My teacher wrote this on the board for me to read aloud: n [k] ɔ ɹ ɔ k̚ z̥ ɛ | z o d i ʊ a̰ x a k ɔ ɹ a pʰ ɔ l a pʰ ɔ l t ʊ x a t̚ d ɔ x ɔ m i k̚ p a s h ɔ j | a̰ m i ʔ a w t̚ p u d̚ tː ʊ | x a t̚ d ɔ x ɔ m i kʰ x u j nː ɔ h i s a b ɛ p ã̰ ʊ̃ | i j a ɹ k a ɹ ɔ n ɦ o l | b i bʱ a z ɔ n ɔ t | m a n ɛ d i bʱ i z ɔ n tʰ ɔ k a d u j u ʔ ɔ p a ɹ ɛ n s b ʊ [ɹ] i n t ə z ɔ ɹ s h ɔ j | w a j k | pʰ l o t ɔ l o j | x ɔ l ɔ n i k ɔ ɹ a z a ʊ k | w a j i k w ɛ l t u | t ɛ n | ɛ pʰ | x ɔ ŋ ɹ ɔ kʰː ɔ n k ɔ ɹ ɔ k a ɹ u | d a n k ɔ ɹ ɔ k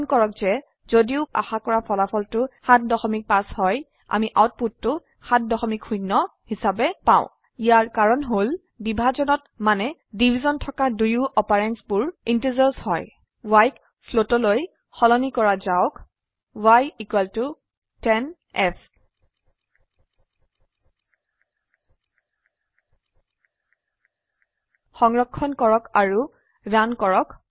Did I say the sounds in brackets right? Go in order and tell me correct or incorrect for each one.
correct, correct

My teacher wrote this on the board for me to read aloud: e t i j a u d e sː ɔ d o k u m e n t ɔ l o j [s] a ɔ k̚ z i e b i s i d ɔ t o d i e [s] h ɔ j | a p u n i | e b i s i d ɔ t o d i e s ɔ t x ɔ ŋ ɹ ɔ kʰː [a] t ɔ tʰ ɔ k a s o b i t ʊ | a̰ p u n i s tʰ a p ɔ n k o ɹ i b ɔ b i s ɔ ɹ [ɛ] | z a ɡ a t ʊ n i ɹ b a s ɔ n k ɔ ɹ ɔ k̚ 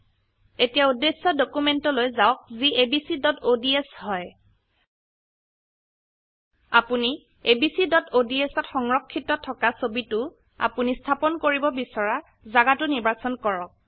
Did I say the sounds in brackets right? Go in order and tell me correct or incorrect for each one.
incorrect: z, correct, incorrect: i, incorrect: a

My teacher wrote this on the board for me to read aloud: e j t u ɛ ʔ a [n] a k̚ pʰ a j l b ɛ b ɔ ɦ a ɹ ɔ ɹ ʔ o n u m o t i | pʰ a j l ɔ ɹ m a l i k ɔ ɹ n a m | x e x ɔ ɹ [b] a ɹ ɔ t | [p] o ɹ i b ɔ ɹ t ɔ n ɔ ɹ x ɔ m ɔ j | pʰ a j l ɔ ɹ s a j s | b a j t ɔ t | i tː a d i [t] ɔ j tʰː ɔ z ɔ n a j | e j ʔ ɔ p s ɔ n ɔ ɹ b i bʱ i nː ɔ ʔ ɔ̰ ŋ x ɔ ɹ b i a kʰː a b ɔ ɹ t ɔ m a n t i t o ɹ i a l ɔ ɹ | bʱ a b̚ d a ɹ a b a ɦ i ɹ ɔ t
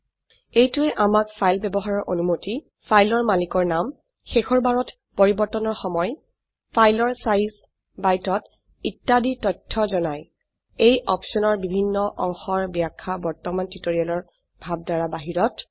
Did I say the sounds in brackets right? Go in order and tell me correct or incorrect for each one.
incorrect: m, correct, correct, correct

